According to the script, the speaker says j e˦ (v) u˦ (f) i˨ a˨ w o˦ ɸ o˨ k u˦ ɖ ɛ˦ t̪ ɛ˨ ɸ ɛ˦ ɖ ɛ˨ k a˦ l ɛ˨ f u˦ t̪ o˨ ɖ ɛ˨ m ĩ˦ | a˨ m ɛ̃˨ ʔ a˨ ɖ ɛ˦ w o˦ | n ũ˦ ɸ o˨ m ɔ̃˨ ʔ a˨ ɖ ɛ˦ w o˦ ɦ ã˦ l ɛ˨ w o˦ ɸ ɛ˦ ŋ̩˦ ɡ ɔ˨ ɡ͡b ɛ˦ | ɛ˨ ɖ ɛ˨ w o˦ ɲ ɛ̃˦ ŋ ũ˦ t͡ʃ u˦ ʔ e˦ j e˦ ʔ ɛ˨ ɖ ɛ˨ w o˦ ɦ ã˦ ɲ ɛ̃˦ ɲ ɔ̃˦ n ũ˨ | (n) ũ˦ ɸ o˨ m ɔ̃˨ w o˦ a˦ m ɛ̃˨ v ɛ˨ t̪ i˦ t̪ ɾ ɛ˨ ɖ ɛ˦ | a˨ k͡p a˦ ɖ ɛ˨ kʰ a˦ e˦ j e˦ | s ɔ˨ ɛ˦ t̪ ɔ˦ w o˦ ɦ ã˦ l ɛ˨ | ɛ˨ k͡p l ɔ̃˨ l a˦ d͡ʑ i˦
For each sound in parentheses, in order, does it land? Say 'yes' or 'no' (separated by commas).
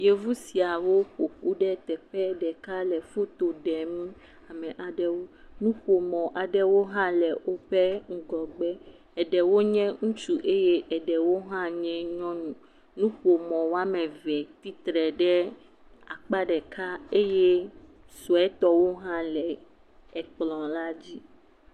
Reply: yes, no, yes